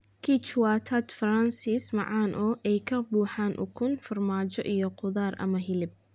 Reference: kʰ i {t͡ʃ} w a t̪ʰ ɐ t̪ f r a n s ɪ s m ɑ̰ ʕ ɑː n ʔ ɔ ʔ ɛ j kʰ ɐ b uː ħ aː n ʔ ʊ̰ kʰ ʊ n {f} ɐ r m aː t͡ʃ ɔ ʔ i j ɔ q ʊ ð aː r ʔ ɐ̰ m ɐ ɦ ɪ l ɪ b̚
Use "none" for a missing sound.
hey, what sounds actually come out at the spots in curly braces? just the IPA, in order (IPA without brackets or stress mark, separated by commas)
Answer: t͡ʃ, f